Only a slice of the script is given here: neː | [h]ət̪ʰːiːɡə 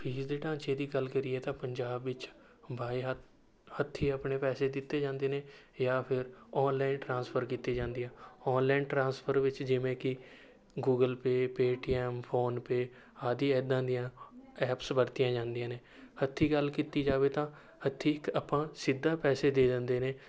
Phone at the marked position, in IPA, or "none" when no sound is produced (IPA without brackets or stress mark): h